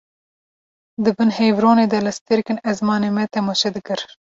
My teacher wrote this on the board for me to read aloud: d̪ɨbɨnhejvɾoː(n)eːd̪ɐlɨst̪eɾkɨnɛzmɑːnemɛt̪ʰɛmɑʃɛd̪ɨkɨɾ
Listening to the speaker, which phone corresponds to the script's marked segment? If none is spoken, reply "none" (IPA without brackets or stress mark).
n